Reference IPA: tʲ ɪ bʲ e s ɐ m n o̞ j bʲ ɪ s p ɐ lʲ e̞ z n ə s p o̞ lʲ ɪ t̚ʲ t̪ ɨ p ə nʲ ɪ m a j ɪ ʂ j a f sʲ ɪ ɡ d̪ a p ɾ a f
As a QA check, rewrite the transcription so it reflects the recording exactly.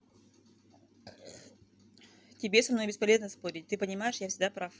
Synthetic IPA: tʲ ɪ bʲ e s ɐ m n o̞ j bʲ ɪ s p ɐ lʲ e̞ z n ə s p o̞ ɾʲ ɪ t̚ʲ t̪ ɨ p ə nʲ ɪ m a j ɪ ʂ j a f sʲ ɪ ɡ d̪ a p ɾ a f